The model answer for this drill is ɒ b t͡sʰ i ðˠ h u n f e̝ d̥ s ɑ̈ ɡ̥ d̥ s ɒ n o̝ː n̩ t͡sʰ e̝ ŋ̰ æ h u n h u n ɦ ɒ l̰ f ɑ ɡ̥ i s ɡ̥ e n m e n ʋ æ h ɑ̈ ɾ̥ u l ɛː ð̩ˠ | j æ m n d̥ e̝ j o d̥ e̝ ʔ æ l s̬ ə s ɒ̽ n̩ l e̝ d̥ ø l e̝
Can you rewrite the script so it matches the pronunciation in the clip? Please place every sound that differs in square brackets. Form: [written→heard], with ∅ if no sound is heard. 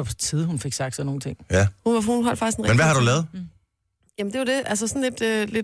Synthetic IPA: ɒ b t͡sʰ i ðˠ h u n f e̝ [d̥→ɡ̥] s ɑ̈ ɡ̥ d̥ s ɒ n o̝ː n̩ t͡sʰ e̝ ŋ̰ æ h u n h u n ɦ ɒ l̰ f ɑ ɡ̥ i s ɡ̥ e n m e n ʋ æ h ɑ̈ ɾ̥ u l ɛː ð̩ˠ | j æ m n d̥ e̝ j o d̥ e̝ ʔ æ l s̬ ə s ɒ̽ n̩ l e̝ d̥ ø l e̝